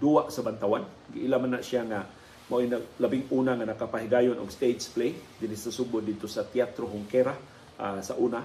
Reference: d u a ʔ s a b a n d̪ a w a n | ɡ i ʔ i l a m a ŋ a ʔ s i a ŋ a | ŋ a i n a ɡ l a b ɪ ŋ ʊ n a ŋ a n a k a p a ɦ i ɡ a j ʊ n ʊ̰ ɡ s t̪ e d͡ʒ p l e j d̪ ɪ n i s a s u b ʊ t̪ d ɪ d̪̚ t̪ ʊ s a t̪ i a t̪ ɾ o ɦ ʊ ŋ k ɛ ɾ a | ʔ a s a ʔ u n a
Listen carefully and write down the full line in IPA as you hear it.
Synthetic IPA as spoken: d u a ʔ s a b a n t̪ a w a n | ɡ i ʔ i l a m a n a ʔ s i a ŋ a | m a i n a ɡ l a b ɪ ŋ u n a ŋ a n a k a p a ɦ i ɡ a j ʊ n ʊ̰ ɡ s t̪ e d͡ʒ p l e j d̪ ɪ n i s a s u b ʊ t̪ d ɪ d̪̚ t̪ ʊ s a t̪ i a t̪ ɾ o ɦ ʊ ŋ k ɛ ɾ a | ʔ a s a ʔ u n a